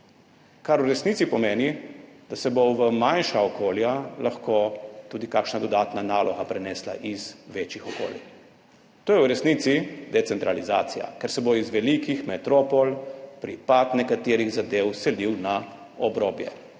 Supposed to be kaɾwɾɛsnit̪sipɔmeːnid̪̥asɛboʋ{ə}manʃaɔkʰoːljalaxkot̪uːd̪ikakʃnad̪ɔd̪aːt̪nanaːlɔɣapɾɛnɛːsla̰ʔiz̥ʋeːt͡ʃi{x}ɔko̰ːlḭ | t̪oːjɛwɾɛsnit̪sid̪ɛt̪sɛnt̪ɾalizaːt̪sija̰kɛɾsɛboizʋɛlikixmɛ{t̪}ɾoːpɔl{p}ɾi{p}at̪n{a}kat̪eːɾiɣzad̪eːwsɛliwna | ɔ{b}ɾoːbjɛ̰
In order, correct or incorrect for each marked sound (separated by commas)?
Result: correct, correct, correct, correct, correct, incorrect, correct